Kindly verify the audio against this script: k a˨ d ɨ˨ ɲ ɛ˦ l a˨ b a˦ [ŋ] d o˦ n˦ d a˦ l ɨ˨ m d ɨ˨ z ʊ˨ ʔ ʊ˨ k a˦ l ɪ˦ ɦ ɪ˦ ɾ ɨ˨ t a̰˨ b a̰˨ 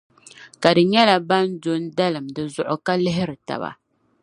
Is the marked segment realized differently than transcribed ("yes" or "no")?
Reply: yes